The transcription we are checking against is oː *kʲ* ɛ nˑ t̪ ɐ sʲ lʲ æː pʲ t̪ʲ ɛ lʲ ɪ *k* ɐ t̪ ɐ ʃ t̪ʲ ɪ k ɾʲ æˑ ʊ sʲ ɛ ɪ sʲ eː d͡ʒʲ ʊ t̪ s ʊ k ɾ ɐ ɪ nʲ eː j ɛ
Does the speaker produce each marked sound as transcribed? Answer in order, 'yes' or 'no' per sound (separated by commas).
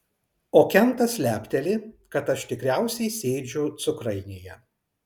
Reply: yes, yes